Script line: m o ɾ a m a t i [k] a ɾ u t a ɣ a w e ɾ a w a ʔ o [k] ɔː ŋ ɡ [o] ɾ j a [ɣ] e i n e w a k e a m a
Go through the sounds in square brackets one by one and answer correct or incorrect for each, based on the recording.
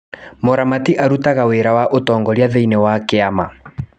incorrect, incorrect, incorrect, incorrect

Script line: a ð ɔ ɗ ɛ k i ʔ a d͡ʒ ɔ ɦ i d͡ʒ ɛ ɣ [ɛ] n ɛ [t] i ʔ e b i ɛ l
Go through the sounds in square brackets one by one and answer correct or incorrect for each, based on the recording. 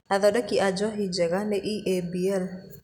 incorrect, incorrect

